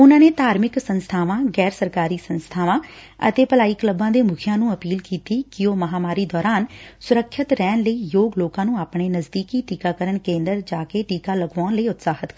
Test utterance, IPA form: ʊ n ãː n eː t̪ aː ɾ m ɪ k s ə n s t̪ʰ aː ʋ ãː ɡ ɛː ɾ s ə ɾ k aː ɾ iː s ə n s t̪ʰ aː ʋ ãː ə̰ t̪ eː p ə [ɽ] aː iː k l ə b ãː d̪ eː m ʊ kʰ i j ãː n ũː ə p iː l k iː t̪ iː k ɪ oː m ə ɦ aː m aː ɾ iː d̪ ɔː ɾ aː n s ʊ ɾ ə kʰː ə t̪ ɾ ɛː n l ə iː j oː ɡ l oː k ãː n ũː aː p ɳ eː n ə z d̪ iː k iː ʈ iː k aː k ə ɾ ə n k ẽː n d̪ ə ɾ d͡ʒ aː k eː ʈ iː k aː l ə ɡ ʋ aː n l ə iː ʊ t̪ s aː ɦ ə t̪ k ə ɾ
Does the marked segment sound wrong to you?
yes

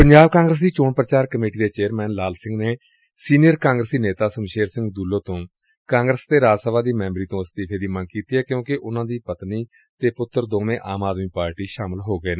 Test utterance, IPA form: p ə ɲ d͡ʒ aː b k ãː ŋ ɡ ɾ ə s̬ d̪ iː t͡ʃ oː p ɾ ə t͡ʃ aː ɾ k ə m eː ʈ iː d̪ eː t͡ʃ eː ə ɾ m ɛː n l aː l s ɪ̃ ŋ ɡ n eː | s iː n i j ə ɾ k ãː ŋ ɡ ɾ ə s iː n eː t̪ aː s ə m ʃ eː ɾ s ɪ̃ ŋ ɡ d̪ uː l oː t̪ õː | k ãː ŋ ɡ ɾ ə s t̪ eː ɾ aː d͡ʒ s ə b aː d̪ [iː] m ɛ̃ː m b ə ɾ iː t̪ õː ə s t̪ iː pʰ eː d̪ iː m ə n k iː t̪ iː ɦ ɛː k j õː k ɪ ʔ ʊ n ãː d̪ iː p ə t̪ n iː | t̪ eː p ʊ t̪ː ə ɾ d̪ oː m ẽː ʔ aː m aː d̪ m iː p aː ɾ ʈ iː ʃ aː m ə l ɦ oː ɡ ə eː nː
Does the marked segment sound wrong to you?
no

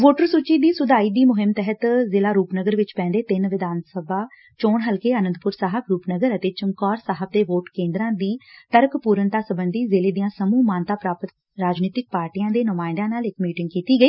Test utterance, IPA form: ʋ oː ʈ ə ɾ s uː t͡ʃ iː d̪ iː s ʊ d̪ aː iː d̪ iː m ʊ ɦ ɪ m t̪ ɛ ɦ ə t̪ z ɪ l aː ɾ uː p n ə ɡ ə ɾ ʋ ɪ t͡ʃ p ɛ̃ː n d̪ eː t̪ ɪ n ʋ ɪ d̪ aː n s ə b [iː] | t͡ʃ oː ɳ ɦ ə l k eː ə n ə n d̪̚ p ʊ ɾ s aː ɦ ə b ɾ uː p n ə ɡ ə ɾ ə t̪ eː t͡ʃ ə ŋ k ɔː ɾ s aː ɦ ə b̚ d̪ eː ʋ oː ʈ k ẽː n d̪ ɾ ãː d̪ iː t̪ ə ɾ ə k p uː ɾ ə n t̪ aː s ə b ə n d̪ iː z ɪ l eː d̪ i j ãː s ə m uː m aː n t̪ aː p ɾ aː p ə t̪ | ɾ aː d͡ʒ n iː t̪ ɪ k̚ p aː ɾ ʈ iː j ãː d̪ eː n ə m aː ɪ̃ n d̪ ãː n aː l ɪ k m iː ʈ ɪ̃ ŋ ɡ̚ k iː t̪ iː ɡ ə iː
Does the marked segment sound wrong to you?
yes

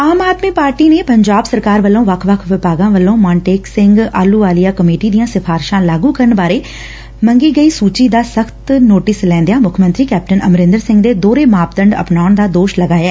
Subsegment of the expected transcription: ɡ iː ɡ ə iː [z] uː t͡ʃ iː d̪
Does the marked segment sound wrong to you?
yes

